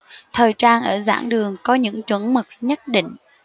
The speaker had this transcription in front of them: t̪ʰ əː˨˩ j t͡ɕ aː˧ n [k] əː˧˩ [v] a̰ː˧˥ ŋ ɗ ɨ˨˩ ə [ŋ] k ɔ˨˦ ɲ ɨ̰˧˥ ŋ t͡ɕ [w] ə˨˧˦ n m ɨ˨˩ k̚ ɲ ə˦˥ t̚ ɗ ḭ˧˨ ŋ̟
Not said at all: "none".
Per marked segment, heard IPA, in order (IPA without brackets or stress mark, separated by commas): ʔ, z, ŋ, w